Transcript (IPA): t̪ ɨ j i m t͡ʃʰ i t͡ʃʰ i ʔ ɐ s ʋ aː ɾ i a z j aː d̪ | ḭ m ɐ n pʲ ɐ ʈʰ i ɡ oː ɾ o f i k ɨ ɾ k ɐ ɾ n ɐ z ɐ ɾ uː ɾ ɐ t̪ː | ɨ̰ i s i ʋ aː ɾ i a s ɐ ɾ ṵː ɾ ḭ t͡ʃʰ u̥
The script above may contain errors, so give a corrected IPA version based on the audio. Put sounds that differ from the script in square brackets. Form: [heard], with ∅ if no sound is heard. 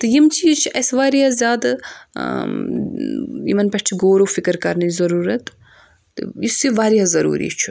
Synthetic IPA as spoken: t̪ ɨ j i m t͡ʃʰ i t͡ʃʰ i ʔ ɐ s ʋ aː ɾ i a z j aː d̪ | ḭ m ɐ n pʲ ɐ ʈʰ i ɡ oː ɾ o f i k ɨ ɾ k ɐ ɾ n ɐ z ɐ ɾ uː ɾ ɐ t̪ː | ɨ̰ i s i ʋ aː ɾ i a [z] ɐ ɾ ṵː ɾ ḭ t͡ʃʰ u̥